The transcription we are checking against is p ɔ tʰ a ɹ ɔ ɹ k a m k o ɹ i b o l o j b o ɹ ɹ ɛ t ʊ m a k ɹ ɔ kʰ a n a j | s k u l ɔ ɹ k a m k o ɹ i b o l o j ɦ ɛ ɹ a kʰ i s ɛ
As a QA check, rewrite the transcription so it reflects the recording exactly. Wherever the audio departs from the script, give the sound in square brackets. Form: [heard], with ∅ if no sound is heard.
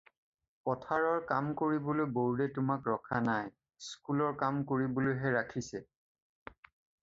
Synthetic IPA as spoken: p ɔ tʰ a ɹ ɔ ɹ k a m k o ɹ i b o l o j b o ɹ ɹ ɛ t ʊ m a k ɹ ɔ kʰ a n a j | s k u l ɔ ɹ k a m k o ɹ i b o l o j ɦ ɛ ɹ a kʰ i s ɛ